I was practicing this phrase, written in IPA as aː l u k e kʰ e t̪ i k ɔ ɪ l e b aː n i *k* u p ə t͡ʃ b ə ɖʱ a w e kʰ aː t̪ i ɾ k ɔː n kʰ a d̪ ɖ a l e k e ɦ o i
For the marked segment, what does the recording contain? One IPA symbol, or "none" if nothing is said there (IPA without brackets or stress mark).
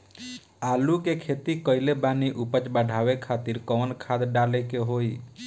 ʔ